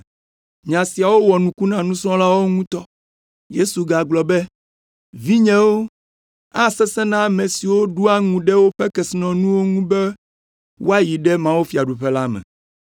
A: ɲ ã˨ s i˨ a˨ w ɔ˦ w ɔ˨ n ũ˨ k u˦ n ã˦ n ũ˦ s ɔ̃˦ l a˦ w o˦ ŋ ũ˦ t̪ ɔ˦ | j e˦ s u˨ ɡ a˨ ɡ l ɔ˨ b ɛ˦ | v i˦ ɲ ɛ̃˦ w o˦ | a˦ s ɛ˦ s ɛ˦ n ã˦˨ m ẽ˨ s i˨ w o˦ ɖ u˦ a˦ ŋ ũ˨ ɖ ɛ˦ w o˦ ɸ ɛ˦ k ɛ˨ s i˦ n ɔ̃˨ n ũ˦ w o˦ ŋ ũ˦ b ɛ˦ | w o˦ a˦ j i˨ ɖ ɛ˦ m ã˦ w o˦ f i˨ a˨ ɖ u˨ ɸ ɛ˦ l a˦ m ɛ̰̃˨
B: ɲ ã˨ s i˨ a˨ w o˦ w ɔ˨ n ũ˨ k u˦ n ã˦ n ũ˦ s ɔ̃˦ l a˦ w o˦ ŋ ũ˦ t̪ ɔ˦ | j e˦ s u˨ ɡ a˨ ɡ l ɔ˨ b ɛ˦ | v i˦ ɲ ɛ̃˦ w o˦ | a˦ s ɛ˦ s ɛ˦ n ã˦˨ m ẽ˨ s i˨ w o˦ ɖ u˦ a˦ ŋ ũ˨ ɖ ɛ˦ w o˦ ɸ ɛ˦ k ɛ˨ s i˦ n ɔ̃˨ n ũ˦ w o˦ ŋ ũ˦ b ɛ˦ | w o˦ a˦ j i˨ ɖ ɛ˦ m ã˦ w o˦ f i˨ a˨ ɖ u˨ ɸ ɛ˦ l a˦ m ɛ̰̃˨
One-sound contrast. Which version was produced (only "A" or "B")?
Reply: B